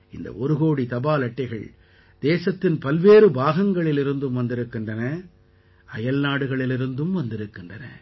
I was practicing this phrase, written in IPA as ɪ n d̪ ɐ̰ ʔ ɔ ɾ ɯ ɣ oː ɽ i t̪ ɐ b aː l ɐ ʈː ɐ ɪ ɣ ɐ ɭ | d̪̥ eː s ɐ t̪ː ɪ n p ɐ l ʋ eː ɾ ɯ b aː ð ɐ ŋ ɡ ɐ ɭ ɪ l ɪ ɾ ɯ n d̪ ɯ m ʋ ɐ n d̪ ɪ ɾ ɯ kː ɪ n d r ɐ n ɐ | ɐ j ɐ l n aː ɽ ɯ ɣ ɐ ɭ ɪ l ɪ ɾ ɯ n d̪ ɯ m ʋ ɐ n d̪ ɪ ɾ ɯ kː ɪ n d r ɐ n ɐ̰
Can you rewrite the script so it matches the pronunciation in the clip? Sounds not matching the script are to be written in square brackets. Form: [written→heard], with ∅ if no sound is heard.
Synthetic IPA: ɪ n d̪ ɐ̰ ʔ ɔ ɾ ɯ ɣ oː ɽ i t̪ ɐ b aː l ɐ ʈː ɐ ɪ ɣ ɐ ɭ | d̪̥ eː s ɐ t̪ː ɪ n p ɐ l ʋ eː ɾ ɯ b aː [ð→ɣ] ɐ ŋ ɡ ɐ ɭ ɪ l ɪ ɾ ɯ n d̪ ɯ m ʋ ɐ n d̪ ɪ ɾ ɯ kː ɪ n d r ɐ n ɐ | ɐ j ɐ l n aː ɽ ɯ ɣ ɐ ɭ ɪ l ɪ ɾ ɯ n d̪ ɯ m ʋ ɐ n d̪ ɪ ɾ ɯ kː ɪ n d r ɐ n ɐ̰